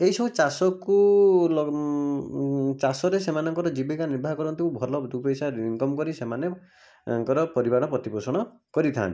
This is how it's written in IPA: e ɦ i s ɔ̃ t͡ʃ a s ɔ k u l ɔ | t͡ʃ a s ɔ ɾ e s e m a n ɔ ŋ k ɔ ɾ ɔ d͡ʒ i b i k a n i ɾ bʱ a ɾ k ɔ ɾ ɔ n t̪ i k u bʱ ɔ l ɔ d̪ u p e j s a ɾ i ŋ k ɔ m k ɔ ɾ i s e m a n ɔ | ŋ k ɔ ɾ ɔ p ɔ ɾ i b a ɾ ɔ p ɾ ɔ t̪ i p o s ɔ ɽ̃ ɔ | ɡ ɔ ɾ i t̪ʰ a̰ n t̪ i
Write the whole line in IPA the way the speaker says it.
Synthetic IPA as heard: e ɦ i s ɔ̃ t͡ʃ a s ɔ k u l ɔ | t͡ʃ a s ɔ ɾ e s e m a n ɔ ŋ k ɔ ɾ ɔ d͡ʒ i b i k a n i ɾ bʱ a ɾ k ɔ ɾ ɔ n t̪ i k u bʱ ɔ l ɔ d̪ u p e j s a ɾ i ŋ k ɔ m k ɔ ɾ i s e m a n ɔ | ŋ k ɔ ɾ ɔ p ɔ ɾ i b a ɾ ɔ p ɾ ɔ t̪ i p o s ɔ ɽ̃ ɔ | k ɔ ɾ i t̪ʰ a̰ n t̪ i